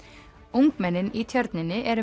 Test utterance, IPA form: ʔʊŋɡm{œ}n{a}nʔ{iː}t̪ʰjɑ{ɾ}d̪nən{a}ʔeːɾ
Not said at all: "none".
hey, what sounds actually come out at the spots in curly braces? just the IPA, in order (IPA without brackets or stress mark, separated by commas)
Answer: ɛ, ə, iː, ɾ, ə